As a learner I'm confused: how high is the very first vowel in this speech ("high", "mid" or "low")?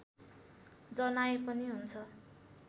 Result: mid